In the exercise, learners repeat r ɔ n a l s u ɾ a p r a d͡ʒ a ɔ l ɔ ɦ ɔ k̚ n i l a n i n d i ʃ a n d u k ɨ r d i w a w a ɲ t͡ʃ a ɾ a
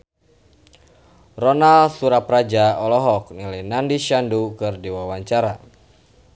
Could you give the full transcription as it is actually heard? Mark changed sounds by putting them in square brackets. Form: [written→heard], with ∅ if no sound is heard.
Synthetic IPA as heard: r ɔ n a l s u ɾ a p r a d͡ʒ a ɔ l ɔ ɦ ɔ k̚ n i l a n [i→a] n d i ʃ a n d u k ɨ r d i w a w a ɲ t͡ʃ a ɾ a